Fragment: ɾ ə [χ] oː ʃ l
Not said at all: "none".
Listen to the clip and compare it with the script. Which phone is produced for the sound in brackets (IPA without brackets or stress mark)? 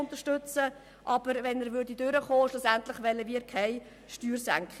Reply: χ